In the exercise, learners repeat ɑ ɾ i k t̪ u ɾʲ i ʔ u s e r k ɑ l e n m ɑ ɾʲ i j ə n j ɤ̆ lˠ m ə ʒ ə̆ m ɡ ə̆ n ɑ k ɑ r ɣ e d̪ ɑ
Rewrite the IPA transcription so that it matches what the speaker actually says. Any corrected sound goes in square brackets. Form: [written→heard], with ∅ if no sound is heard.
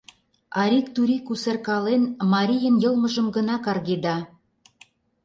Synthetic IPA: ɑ ɾ i k t̪ u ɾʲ i [ʔ→k] u s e r k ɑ l e n m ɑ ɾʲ i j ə n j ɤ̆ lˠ m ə ʒ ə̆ m ɡ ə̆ n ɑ k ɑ r ɣ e d̪ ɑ